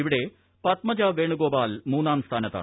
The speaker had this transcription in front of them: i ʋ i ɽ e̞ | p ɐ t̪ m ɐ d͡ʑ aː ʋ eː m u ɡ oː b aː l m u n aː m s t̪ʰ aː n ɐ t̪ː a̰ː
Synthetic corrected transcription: i ʋ i ɽ e̞ | p ɐ t̪ m ɐ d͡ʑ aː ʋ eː ɳ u ɡ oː b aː l m uː n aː m s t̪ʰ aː n ɐ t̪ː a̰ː

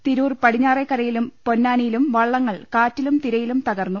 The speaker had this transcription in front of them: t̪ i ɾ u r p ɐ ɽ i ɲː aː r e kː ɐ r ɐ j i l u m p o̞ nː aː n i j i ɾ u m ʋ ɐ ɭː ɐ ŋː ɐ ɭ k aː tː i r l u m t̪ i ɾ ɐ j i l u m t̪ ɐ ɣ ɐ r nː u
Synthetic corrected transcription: t̪ i ɾ uː r p ɐ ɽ i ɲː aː r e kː ɐ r ɐ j i l u m p o̞ nː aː n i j i l u m ʋ ɐ ɭː ɐ ŋː ɐ ɭ k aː tː i l u m t̪ i ɾ ɐ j i l u m t̪ ɐ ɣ ɐ r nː u

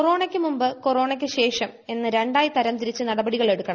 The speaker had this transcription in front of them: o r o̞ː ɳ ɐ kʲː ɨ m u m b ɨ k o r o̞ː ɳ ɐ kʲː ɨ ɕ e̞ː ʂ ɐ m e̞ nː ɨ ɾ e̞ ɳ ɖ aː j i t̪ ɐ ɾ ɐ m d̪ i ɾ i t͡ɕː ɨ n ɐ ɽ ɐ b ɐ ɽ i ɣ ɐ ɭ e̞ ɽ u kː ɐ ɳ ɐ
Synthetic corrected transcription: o r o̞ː ɳ ɐ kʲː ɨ m u m b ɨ k o r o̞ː ɳ ɐ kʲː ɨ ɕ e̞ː ʂ ɐ m e̞ nː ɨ ɾ e̞ ɳ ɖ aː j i t̪ ɐ ɾ ɐ m t̪ i ɾ i t͡ɕː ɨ n ɐ ɽ ɐ b ɐ ɽ i ɣ ɐ ɭ e̞ ɽ u kː ɐ ɳ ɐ

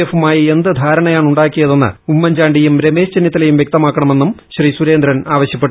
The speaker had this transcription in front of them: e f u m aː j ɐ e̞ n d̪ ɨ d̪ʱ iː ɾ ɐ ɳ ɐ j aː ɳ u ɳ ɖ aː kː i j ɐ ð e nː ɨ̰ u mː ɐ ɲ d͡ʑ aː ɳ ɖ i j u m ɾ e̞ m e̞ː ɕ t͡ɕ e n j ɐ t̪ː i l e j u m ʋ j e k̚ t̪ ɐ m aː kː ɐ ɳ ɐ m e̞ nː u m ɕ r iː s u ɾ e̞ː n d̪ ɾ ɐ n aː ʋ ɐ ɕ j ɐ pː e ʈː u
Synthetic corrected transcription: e f u m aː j ɐ e̞ n d̪ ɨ d̪ʱ aː ɾ ɐ ɳ ɐ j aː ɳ u ɳ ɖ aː kː i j ɐ ð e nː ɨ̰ u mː ɐ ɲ d͡ʑ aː ɳ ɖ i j u m ɾ e̞ m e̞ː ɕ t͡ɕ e n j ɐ t̪ː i l e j u m ʋ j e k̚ t̪ ɐ m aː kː ɐ ɳ ɐ m e̞ nː u m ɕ r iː s u ɾ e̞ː n d̪ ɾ ɐ n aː ʋ ɐ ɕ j ɐ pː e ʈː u

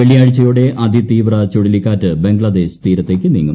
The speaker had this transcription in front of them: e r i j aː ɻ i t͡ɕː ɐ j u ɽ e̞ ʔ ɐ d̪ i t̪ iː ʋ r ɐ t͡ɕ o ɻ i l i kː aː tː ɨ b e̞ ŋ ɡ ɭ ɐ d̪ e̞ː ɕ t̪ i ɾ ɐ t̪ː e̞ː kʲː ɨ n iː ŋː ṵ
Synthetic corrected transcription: e ɭ i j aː ɻ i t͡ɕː ɐ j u ɽ e̞ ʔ ɐ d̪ i t̪ iː ʋ r ɐ t͡ɕ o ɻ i l i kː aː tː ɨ b e̞ ŋ ɡ ɭ ɐ d̪ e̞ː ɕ t̪ iː ɾ ɐ t̪ː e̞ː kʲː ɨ n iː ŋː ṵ

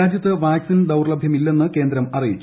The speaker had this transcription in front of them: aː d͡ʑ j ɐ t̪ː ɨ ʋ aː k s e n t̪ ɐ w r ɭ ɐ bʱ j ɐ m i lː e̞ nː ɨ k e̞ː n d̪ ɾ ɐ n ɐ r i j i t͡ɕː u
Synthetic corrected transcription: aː d͡ʑ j ɐ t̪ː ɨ ʋ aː k s i n d̪ ɐ w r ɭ ɐ bʱ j ɐ m i lː e̞ nː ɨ k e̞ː n d̪ ɾ ɐ m ɐ r i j i t͡ɕː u

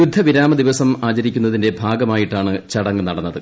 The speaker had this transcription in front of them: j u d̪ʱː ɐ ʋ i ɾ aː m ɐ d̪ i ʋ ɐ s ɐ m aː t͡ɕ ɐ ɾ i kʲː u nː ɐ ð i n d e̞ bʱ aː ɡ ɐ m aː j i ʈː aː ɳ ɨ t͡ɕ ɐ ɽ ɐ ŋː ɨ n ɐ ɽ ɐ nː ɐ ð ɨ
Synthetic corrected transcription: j u d̪ʱː ɐ ʋ i ɾ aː m ɐ d̪ i ʋ ɐ s ɐ m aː t͡ɕ ɐ ɾ i kʲː u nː ɐ ð i n d e̞ bʱ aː ɡ ɐ m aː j i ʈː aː ɳ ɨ t͡ɕ ɐ ɽ ɐ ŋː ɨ n ɐ ɽ ɐ nː ɐ ð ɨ

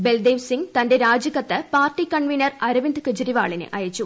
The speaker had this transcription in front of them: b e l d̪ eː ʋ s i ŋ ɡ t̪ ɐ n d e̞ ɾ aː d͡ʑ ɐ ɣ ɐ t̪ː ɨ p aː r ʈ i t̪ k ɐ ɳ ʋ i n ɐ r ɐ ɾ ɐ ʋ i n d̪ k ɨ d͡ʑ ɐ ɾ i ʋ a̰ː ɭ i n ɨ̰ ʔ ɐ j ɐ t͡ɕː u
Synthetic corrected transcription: b e l d̪ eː ʋ s i ŋ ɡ t̪ ɐ n d e̞ ɾ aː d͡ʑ ɐ ɣ ɐ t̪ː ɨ p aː r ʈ i k ɐ ɳ ʋ i n ɐ r ɐ ɾ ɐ ʋ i n d̪ k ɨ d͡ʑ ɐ ɾ i ʋ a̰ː ɭ i n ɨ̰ ʔ ɐ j ɐ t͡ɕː u

